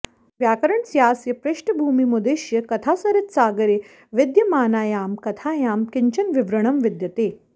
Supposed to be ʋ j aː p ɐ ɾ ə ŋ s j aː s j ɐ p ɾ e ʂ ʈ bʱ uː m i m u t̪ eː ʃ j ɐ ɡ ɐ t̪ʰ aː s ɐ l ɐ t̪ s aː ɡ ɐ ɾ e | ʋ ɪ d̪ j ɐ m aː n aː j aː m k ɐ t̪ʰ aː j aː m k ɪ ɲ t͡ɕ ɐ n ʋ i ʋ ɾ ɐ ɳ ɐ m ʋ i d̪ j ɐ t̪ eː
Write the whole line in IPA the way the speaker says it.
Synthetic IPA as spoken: ʋ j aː k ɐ ɾ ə ɳ s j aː s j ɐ p ɾ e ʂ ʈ bʱ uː m i m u d̪ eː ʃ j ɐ k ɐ t̪ʰ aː s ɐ ɾ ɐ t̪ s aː ɡ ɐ ɾ e | ʋ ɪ d̪ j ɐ m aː n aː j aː m k ɐ t̪ʰ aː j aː m k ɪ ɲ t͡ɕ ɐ n ʋ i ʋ ɾ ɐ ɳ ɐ m ʋ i d̪ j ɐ t̪ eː